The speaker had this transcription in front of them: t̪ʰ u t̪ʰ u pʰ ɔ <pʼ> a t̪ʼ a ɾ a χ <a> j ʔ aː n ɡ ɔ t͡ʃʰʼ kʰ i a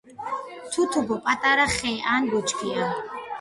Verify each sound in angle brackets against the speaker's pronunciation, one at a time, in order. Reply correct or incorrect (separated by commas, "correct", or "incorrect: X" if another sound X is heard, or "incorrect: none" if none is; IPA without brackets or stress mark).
correct, incorrect: ɛ